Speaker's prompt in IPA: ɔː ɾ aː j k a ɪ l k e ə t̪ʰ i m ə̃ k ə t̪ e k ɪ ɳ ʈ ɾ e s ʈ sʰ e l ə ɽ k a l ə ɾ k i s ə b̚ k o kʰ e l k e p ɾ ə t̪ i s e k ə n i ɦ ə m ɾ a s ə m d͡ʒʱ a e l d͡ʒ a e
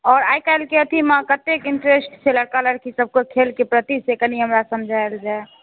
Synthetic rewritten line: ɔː ɾ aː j k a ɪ l k e ə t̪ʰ i m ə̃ k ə t̪ e k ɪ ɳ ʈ ɾ e s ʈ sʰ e l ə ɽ k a l ə ɾ k i s ə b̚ k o kʰ e l k e p ɾ ə t̪ i s e k ə n i ɦ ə m ɾ a s ə m d͡ʒʱ a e l d͡ʒ a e